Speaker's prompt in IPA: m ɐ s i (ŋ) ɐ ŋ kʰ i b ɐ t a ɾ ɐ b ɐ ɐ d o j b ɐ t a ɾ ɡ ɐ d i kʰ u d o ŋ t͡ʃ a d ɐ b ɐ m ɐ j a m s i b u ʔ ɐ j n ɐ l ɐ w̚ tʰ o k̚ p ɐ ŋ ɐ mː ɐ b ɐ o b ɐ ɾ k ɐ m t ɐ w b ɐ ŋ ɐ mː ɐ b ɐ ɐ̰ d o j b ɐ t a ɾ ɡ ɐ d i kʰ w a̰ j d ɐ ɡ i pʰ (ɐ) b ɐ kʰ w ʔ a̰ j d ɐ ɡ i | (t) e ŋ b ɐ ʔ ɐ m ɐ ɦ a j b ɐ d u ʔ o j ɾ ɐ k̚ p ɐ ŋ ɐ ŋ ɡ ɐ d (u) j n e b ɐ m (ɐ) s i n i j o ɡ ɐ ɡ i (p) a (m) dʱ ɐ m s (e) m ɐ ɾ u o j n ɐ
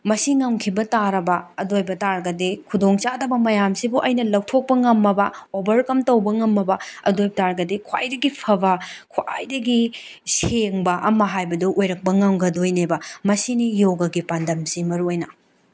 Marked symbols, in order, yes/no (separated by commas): yes, yes, no, no, yes, yes, no, no